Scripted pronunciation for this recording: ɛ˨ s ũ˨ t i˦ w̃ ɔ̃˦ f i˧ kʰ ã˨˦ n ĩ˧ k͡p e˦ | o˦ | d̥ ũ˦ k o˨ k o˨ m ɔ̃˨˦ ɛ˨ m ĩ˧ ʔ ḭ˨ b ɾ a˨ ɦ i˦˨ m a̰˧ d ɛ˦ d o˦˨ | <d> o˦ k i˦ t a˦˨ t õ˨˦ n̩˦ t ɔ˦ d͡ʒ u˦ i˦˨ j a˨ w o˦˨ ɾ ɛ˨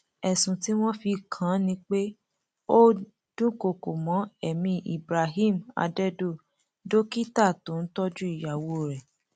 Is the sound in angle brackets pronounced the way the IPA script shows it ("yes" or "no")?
yes